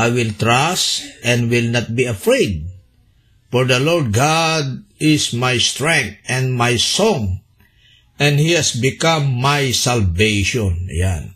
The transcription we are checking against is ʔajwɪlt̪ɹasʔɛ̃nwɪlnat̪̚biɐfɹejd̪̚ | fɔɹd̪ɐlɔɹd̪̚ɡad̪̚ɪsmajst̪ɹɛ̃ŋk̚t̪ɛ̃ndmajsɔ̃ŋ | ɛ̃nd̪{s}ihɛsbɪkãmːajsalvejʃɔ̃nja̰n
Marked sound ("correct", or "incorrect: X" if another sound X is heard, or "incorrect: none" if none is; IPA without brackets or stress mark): incorrect: h